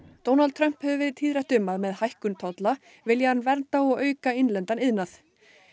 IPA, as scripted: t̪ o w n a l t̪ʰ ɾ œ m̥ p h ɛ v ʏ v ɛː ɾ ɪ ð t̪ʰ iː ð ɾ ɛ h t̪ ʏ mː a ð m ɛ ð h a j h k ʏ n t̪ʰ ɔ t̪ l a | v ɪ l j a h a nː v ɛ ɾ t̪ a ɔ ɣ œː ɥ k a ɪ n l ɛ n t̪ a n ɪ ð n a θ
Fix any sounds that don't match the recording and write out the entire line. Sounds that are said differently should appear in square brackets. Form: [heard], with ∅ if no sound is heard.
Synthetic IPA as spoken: t̪ o w n a l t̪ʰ ɾ œ m̥ p h ɛ v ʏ v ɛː ɾ ɪ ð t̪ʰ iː ð ɾ ɛ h t̪ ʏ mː a ð m ɛ ð h a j h k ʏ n t̪ʰ ɔ t̪ l a | v ɪ l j a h a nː v ɛ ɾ t̪ a ɔ ɣ œː ɥ k a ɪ n l ɛ n t̪ a n ɪ ð n a θ